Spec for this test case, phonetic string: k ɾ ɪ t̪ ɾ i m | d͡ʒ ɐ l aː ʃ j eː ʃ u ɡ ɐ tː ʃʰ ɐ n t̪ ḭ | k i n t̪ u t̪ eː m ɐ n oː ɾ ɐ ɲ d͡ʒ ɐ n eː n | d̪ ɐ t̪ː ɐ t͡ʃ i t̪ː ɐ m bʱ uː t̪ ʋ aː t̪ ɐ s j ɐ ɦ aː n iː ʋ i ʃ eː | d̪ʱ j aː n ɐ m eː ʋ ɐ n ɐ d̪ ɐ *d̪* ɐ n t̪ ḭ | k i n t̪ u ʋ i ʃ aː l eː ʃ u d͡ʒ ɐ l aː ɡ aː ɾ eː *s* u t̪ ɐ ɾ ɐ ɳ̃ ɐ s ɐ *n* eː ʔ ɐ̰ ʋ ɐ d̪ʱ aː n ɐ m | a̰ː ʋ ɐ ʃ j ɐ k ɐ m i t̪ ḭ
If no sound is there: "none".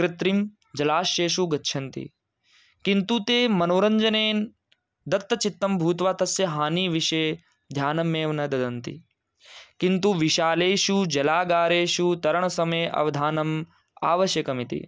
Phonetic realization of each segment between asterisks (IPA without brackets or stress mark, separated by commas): d̪, ʃ, m